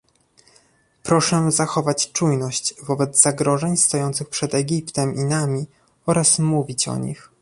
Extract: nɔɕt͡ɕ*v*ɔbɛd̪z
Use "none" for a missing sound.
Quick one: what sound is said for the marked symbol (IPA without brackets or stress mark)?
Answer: v